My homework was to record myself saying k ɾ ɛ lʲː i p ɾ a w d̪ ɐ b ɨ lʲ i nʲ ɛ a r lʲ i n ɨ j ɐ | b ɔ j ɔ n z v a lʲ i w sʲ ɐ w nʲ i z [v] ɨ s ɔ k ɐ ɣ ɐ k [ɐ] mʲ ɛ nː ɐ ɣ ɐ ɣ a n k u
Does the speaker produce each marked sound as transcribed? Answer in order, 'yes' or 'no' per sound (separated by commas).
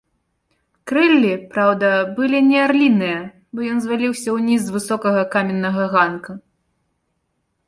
yes, no